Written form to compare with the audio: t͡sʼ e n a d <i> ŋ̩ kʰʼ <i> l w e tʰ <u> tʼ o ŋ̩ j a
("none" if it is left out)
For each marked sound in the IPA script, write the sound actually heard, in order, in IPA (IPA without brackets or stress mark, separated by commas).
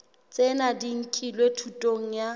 i, i, u